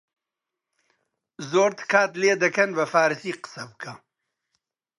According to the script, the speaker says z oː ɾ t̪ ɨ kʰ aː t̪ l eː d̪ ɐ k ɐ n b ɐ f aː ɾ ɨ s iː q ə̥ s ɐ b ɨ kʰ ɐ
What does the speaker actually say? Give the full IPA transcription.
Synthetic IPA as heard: z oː ɾ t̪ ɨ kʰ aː t̪ l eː d̪ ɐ k ɐ n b ɐ f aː ɾ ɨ s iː q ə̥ s ɐ b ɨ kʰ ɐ